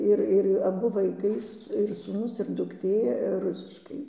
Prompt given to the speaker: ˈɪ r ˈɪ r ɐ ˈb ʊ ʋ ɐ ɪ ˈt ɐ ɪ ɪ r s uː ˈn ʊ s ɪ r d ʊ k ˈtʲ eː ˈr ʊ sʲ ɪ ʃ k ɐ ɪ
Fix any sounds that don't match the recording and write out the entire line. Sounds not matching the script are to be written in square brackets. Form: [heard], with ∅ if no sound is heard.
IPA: ˈɪ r ˈɪ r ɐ ˈb ʊ ʋ ɐ ɪ [ˈk] ɐ ɪ ɪ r s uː ˈn ʊ s ɪ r d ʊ k ˈtʲ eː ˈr ʊ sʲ ɪ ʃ k ɐ ɪ